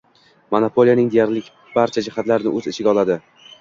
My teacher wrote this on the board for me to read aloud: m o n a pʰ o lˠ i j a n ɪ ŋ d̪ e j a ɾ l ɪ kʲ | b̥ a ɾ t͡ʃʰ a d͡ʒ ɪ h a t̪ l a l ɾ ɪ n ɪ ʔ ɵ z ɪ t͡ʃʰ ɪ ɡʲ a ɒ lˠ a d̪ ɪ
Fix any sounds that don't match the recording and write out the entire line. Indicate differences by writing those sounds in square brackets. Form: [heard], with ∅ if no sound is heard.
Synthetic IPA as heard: m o n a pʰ o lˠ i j a n ɪ ŋ d̪ e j a ɾ l ɪ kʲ | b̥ a ɾ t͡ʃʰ a d͡ʒ ɪ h a t̪ l a [∅] ɾ ɪ n ɪ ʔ ɵ z ɪ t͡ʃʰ ɪ ɡʲ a ɒ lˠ a d̪ ɪ